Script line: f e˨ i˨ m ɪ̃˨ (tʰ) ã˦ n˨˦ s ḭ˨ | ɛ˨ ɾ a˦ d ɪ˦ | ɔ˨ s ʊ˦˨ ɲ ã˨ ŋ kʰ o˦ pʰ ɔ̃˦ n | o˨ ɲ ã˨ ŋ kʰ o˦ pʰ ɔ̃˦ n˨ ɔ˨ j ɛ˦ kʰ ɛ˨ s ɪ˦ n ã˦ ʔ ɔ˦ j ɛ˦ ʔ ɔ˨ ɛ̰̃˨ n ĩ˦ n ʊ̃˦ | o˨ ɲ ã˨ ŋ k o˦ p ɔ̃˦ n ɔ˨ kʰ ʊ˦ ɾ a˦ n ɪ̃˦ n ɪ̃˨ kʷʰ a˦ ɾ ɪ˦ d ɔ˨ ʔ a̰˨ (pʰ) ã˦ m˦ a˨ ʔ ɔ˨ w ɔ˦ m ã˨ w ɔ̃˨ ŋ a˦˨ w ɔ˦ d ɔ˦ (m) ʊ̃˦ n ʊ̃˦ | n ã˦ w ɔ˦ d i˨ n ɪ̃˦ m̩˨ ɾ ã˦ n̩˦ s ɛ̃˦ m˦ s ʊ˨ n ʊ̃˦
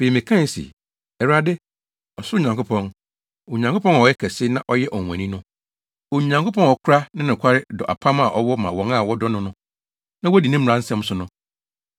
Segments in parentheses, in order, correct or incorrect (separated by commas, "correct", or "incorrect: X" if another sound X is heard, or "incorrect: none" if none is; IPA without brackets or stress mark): incorrect: kʰ, correct, incorrect: n